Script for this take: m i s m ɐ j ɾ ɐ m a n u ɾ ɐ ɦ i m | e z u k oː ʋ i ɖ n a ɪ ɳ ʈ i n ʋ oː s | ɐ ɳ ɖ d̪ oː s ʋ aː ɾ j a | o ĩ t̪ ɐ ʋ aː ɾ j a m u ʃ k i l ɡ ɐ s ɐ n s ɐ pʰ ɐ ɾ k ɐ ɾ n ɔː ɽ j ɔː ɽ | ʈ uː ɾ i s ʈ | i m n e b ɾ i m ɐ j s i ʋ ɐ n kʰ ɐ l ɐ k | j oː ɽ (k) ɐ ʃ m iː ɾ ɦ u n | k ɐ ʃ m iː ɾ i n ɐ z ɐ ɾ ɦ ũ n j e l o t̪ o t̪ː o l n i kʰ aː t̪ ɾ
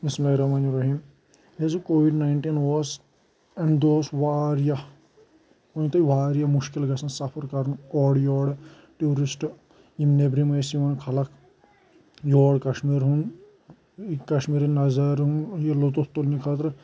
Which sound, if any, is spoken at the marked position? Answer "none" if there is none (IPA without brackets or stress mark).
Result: k